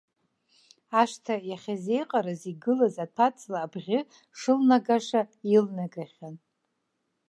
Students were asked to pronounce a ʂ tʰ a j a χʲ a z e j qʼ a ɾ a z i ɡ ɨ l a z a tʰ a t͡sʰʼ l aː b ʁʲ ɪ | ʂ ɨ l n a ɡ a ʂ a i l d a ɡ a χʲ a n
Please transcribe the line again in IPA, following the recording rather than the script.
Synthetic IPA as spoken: a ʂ tʰ a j a χʲ a z e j qʼ a ɾ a z i ɡ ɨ l a z a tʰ a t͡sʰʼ l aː b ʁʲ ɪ | ʂ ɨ l n a ɡ a ʂ a i l n a ɡ a χʲ a n

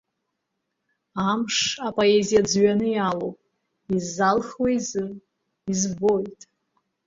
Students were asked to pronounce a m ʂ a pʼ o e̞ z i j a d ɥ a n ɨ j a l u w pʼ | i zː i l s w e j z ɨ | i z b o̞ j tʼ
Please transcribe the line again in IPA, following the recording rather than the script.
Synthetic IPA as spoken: a m ʂ a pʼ o e̞ z i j a d͡z ɥ a n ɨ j a l o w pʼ | i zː a l χ w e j z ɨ | i z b o̞ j tʼ

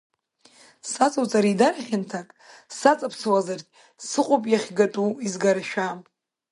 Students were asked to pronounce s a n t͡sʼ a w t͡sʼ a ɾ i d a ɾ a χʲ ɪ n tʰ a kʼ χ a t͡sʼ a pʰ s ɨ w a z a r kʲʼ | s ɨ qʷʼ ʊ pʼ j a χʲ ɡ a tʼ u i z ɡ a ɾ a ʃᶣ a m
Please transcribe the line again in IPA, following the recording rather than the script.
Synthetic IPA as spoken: s a t͡sʼ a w t͡sʼ a ɾ i d a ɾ a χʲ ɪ n tʰ a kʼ s a t͡sʼ a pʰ s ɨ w a z a r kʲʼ | s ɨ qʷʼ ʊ pʼ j a χʲ ɡ a tʼ u i z ɡ a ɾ a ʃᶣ a m

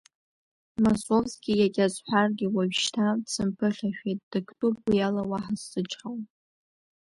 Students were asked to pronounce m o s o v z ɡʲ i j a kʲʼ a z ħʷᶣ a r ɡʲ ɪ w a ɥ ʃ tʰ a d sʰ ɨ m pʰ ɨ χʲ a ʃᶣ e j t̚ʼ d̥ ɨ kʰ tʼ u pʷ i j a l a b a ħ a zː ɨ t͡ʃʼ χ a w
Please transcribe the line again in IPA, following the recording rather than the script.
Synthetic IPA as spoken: m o s o v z ɡʲ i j a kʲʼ a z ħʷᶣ a r ɡʲ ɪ w a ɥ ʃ tʰ a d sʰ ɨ m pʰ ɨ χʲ a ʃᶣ e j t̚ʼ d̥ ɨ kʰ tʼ u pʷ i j a l a w a ħ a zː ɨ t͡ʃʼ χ a w

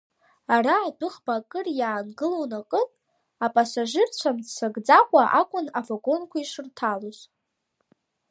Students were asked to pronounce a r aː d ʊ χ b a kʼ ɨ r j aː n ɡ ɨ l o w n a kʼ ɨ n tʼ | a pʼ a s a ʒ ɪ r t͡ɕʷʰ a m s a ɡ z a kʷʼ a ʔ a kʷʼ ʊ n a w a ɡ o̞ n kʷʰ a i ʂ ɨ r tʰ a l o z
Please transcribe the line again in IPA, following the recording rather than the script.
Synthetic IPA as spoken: a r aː d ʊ χ b a kʼ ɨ r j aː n ɡ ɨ l o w n a kʼ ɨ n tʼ | a pʼ a s a ʒ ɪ r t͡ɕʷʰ a m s a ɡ d͡z a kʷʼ a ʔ a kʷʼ ʊ n a v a ɡ o̞ n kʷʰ a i ʂ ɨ r tʰ a l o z

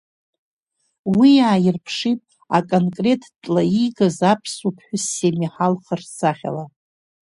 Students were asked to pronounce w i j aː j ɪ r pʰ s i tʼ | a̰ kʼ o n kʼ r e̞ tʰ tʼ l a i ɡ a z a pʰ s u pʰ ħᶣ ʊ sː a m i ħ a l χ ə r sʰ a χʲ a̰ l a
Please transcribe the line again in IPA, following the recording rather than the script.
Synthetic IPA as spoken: w i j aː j ɪ r pʰ ʂ i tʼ | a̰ kʼ o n kʼ r e̞ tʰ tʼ l a i ɡ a z a pʰ s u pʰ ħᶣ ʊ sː e m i ħ a l χ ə r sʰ a χʲ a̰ l a

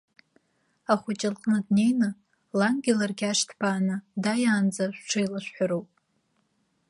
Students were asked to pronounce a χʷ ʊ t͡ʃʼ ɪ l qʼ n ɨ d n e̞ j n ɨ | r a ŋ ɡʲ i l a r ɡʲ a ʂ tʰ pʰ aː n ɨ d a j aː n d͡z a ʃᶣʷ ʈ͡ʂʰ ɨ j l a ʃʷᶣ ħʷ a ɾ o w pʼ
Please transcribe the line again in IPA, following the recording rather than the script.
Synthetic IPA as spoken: a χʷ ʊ t͡ʃʼ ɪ l qʼ n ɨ d n e̞ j n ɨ | l a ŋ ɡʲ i l a r ɡʲ a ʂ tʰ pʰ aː n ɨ d a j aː n d͡z a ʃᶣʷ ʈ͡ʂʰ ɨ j l a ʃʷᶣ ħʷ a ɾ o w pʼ

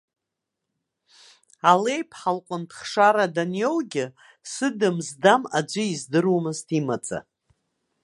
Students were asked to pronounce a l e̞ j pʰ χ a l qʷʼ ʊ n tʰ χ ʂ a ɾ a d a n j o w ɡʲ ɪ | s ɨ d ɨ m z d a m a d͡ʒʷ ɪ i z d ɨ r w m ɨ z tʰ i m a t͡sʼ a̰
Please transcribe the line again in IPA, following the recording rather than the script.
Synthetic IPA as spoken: a l e̞ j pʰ ħ a l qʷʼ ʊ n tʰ χ ʂ a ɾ a d a n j o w ɡʲ ɪ | s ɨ d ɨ m z d a m a d͡ʒʷ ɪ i z d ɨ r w m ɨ z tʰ i m a t͡sʼ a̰

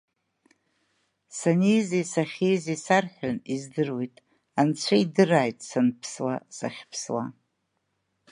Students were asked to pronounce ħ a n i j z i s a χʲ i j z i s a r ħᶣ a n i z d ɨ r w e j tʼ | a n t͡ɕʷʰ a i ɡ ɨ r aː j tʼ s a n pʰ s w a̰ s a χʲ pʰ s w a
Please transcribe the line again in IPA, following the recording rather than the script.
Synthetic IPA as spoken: s a n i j z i s a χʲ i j z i s a r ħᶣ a n i z d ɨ r w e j tʼ | a n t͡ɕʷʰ a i d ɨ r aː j tʼ s a n pʰ s w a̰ s a χʲ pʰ s w a

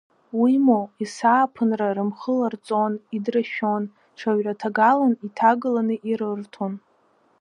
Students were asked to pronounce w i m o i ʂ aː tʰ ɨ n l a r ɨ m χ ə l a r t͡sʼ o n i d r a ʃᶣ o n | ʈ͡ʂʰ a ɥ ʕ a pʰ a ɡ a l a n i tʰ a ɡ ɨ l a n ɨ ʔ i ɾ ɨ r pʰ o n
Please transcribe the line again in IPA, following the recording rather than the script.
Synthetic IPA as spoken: w i m o i s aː pʰ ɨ n r a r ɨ m χ ə l a r t͡sʼ o n i d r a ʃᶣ o n | ʈ͡ʂʰ a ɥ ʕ a tʰ a ɡ a l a n i tʰ a ɡ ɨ l a n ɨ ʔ i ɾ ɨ r tʰ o n

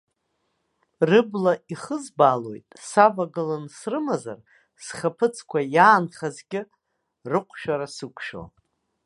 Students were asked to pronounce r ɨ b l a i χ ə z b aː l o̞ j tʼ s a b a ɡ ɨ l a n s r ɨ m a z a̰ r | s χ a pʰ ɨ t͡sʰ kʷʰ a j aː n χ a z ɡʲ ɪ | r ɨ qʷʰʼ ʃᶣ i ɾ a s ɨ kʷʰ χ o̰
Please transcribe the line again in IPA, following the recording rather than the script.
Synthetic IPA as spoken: r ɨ b l a i χ ə z b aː l o̞ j tʼ s a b a ɡ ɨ l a n s r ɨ m a z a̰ r | s χ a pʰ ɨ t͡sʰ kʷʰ a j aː n χ a z ɡʲ ɪ | r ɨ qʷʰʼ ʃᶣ a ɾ a s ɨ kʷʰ ʃ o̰

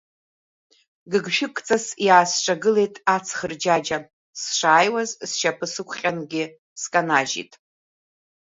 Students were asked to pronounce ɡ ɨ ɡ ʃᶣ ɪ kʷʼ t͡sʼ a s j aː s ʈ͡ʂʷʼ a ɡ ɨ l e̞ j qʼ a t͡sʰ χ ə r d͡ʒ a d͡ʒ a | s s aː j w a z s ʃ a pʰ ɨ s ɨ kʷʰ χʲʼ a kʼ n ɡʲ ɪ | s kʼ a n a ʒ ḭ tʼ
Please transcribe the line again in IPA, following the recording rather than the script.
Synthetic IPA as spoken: ɡ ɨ ɡ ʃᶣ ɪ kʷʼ t͡sʼ a s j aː s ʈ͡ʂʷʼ a ɡ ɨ l e̞ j tʼ a t͡sʰ χ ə r d͡ʒ a d͡ʒ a | s ʂ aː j w a z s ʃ a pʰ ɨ s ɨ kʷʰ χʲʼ a n ɡʲ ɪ | s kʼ a n a ʒ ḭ tʼ

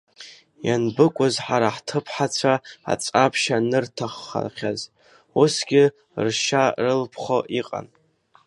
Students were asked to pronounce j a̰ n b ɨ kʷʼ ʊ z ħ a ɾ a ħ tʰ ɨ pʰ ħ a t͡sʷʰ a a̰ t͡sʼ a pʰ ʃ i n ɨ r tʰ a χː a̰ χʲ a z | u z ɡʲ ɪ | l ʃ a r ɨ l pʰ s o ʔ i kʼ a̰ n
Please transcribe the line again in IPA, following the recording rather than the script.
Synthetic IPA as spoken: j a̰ n b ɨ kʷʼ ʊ z ħ a ɾ a ħ tʰ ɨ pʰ ħ a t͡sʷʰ a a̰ t͡sʼ a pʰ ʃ a n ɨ r tʰ a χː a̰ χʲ a z | u s ɡʲ ɪ | r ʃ a r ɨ l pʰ χ o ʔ i qʼ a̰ n

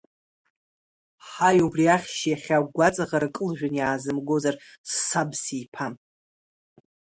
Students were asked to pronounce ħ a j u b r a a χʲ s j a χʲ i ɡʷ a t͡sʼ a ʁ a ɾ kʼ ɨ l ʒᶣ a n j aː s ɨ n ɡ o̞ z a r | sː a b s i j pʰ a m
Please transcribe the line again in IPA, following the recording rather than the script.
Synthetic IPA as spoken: ħ a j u b r i a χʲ ʃ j a χʲ a ɡʷ a t͡sʼ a ʁ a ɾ kʼ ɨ l ʒᶣ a n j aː z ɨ m ɡ o̞ z a r | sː a b s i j pʰ a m

